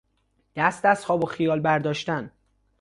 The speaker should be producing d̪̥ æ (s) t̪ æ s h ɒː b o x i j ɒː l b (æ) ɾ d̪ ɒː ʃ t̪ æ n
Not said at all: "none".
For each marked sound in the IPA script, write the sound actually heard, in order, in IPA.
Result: s, æ

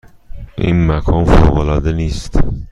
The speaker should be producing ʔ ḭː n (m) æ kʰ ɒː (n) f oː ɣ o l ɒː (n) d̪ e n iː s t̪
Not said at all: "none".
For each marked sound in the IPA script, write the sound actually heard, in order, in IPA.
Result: m, n, none

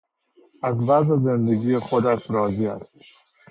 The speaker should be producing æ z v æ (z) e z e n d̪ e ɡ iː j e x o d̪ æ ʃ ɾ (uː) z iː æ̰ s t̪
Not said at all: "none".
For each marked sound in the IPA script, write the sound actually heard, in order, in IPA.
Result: z, ɒː

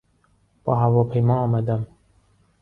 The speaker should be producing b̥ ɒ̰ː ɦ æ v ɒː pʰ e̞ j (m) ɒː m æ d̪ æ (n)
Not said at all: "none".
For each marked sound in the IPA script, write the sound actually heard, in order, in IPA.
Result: m, m

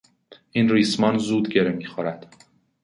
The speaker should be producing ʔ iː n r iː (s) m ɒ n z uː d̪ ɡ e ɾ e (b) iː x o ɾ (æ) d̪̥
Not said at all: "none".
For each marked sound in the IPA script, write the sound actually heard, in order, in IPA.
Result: s, m, æ

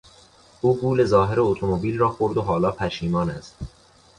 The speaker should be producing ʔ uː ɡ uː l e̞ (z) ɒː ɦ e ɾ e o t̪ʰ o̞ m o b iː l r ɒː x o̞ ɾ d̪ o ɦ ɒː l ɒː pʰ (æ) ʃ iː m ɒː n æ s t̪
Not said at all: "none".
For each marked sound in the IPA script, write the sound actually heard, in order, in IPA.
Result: z, æ

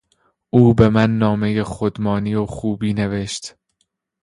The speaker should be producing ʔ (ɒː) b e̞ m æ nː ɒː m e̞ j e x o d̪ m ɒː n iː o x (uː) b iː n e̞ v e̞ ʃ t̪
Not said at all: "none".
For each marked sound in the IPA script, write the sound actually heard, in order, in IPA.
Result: uː, uː

